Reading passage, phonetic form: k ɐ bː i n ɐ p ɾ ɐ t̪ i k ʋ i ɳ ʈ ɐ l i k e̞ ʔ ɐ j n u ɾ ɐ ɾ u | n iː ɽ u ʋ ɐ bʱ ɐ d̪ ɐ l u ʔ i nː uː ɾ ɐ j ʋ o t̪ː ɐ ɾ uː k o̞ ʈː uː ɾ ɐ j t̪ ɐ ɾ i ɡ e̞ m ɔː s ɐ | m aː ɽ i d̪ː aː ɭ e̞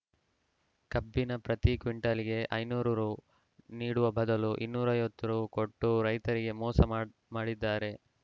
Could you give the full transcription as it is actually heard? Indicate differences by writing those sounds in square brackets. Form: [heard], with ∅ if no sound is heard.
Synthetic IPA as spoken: k ɐ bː i n ɐ p ɾ ɐ t̪ i k ʋ i ɳ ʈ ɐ l i [ɡ] e̞ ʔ ɐ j n [uː] ɾ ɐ ɾ u | n iː ɽ u ʋ ɐ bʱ ɐ d̪ ɐ l u ʔ i nː uː ɾ ɐ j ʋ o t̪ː ɐ ɾ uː k o̞ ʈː [u] ɾ ɐ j t̪ ɐ ɾ i ɡ e̞ m ɔː s ɐ | m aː ɽ i d̪ː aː [ɾ] e̞